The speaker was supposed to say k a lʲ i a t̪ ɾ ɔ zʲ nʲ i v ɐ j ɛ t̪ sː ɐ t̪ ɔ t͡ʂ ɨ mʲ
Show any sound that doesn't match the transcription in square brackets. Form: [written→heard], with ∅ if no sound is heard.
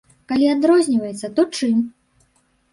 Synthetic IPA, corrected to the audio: k a lʲ i a [t̪→d̪] ɾ ɔ zʲ nʲ i v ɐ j ɛ t̪ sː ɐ t̪ ɔ t͡ʂ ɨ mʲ